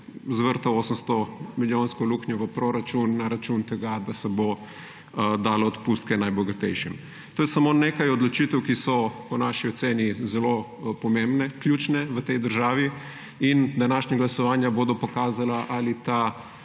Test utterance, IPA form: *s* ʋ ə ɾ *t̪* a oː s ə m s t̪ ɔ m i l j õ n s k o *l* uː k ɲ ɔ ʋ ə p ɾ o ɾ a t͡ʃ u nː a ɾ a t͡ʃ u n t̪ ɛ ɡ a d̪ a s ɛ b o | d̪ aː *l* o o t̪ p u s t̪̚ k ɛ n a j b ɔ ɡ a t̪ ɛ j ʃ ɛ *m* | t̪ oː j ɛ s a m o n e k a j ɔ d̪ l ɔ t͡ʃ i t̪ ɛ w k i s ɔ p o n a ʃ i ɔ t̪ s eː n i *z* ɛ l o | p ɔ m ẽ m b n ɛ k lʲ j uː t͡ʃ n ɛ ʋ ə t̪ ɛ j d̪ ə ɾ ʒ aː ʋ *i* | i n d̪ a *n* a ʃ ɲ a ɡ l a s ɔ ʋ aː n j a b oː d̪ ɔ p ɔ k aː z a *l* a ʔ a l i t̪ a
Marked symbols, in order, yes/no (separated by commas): no, yes, yes, yes, yes, yes, yes, yes, yes